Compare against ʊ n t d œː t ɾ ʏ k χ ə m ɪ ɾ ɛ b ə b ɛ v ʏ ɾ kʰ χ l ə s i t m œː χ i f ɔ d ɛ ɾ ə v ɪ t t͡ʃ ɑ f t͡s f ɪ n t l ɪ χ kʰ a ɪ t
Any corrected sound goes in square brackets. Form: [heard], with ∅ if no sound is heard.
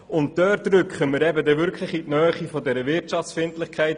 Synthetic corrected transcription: ʊ n t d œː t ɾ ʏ k χ ə m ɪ ɾ ɛ b ə [d] ɛ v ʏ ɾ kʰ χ l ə [χ] i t [n] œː χ i f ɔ d ɛ ɾ ə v ɪ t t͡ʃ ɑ f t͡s f ɪ n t l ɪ χ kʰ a ɪ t